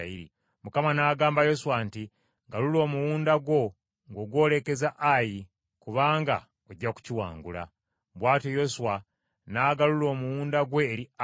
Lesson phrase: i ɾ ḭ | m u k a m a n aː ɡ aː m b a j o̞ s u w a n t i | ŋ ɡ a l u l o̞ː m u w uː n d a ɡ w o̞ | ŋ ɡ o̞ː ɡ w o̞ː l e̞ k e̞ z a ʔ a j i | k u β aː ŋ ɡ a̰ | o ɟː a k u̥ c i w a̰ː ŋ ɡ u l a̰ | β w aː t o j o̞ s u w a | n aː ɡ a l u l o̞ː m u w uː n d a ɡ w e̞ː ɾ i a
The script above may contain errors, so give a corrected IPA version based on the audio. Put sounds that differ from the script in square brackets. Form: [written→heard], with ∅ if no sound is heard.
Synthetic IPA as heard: i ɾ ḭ | m u k a m a n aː ɡ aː m b a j o̞ s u w a n t i | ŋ ɡ a l u l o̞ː m u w uː n d a ɡ w o̞ | ŋ ɡ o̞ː ɡ w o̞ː l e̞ k e̞ z a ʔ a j i | k u β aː ŋ ɡ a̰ | o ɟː a k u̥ c i w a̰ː ŋ ɡ u l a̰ | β w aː t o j o̞ s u w a | n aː ɡ a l u l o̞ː m u w uː n d a ɡ w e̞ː ɾ i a